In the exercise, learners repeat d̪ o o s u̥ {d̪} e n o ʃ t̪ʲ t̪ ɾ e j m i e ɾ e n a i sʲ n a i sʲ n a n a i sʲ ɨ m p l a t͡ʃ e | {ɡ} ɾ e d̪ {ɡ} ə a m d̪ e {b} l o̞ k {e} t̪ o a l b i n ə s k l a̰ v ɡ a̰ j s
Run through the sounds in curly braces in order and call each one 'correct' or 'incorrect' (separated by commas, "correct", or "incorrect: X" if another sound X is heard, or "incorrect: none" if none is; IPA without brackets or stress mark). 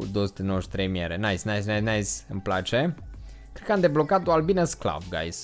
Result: incorrect: t̪, incorrect: k, incorrect: k, correct, incorrect: a